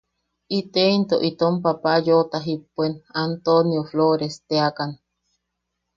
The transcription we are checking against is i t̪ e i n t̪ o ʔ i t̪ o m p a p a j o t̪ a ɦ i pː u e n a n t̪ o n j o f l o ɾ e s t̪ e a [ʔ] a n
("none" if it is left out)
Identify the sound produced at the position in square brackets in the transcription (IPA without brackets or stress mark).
k